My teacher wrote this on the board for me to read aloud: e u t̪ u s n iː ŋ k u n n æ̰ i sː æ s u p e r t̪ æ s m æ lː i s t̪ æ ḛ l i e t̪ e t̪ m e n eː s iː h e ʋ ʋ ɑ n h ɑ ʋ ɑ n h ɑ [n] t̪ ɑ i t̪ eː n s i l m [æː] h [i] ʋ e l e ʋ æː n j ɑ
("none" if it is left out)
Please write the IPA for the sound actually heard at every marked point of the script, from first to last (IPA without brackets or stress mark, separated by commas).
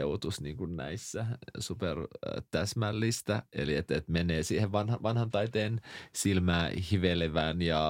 n, æː, i